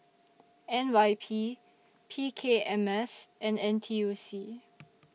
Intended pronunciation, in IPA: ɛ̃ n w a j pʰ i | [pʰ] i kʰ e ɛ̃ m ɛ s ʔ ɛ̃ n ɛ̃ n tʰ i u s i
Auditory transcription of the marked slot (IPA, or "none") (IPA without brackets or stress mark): pʰ